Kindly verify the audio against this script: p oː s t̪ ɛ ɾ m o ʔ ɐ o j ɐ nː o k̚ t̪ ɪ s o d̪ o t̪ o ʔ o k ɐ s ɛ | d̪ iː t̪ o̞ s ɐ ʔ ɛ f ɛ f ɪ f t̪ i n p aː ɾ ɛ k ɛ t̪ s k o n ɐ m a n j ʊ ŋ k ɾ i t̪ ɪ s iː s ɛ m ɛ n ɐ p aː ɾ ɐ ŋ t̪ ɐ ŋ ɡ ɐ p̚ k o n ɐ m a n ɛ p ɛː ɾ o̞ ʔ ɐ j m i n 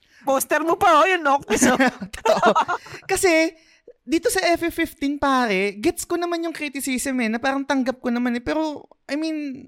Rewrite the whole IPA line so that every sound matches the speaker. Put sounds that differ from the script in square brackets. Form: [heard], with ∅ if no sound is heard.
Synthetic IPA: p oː s t̪ ɛ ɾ m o [p] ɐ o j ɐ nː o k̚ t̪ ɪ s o [t̪] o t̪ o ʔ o k ɐ s ɛ | d̪ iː t̪ o̞ s ɐ ʔ ɛ f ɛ f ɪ f t̪ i n p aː ɾ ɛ [ɡ] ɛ t̪ s k o n ɐ m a n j ʊ ŋ k ɾ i t̪ ɪ s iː s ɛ m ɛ n ɐ p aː ɾ ɐ ŋ t̪ ɐ ŋ ɡ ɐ p̚ k o n ɐ m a n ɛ p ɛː ɾ o̞ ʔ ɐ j m i n